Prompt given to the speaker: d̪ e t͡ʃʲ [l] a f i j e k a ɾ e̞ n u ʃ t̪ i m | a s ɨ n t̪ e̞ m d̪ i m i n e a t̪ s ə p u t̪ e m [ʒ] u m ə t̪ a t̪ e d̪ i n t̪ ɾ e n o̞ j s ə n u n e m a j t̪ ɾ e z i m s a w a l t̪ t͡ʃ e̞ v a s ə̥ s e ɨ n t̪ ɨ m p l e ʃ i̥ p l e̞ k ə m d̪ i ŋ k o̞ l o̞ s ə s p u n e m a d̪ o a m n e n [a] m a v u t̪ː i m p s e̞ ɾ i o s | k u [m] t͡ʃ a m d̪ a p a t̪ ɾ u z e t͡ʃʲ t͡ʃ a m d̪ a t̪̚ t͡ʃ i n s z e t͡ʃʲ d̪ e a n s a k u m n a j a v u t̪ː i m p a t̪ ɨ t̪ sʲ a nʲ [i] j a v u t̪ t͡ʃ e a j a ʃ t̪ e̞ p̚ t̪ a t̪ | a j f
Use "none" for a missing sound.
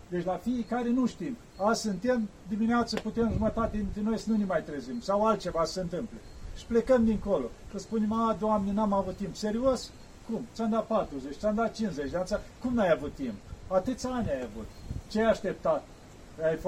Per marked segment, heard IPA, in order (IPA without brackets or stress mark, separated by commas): l, ʒ, a, m, a